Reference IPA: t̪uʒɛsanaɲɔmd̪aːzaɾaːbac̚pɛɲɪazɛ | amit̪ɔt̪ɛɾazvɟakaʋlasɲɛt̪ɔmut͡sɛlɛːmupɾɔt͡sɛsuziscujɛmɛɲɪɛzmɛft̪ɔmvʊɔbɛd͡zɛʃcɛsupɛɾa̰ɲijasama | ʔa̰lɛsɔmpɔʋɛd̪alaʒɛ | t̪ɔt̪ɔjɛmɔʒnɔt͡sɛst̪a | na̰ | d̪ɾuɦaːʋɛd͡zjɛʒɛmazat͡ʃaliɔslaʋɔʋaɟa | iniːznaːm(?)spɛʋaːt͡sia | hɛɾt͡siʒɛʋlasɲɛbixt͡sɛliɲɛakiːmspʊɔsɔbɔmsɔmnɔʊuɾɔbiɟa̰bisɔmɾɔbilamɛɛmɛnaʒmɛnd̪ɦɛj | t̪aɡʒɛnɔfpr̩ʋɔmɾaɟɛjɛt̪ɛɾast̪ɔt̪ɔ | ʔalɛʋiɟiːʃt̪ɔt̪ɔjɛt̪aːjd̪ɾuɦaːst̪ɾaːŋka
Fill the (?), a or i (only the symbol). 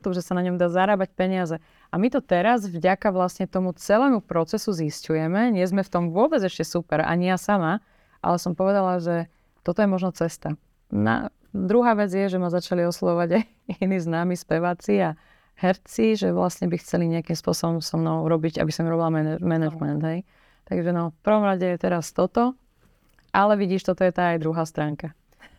i